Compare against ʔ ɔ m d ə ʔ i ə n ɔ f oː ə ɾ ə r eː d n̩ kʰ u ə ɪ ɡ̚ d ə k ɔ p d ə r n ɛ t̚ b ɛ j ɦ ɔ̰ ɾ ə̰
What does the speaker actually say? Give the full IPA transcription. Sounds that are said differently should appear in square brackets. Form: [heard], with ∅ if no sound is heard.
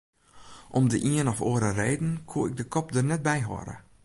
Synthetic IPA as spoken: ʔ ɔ m d ə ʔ i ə n ɔ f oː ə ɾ ə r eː d n̩ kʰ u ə ɪ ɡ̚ d ə k ɔ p d ə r n ɛ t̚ b ɛ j ɦ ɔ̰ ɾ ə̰